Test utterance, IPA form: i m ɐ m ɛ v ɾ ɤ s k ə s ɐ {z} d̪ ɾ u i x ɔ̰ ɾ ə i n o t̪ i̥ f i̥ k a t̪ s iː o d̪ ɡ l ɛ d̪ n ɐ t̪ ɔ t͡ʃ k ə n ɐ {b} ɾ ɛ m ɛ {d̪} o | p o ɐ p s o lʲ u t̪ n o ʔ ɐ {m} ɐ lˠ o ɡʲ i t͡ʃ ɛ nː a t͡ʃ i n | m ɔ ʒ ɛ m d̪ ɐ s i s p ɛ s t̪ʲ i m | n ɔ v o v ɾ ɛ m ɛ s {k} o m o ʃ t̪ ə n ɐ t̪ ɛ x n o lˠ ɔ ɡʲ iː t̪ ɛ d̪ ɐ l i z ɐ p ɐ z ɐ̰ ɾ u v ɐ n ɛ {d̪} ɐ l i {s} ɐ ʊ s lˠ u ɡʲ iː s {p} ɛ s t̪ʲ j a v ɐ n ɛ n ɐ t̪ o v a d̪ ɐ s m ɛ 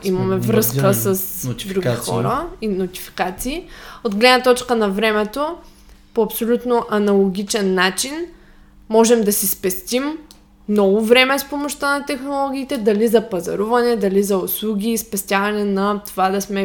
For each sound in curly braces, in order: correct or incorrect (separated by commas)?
incorrect, incorrect, incorrect, incorrect, incorrect, correct, incorrect, correct